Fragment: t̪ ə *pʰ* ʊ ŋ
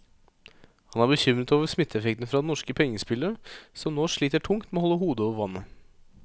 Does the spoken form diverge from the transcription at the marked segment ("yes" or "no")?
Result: yes